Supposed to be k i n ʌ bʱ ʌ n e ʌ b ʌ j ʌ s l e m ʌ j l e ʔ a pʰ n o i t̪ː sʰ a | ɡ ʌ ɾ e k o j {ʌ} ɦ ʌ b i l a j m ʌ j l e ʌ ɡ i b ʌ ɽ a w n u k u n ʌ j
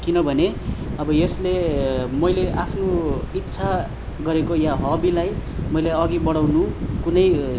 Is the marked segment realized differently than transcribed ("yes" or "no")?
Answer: yes